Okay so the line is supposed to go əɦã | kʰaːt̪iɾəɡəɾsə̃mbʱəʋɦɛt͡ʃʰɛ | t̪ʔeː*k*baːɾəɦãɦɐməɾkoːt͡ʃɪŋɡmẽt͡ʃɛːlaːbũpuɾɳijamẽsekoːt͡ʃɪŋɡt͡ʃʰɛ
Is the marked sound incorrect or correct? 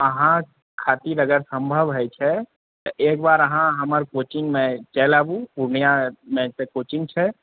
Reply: correct